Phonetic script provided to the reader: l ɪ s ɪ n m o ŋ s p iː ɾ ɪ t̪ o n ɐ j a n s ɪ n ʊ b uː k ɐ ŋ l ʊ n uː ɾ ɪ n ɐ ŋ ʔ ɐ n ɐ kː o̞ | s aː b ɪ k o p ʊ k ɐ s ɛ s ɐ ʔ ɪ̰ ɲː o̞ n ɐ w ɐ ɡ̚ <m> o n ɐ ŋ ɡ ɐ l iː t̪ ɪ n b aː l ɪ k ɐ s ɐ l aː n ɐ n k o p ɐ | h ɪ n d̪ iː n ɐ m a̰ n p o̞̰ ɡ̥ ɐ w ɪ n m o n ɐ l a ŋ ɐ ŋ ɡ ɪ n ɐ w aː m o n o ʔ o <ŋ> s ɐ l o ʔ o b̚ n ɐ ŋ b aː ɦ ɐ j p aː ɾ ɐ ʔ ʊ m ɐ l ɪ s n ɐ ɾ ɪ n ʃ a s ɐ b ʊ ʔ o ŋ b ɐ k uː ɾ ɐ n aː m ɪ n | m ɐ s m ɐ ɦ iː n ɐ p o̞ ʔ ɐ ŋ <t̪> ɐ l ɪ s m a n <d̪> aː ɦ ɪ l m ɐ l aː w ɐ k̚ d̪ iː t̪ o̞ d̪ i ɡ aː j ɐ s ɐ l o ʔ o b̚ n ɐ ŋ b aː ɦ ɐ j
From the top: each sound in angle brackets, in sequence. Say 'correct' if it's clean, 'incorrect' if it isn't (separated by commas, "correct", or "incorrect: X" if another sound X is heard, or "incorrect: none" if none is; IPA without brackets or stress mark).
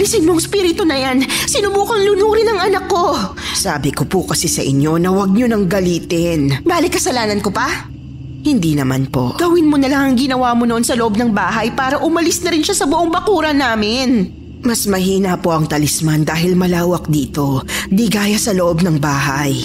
incorrect: ɲ, incorrect: n, correct, correct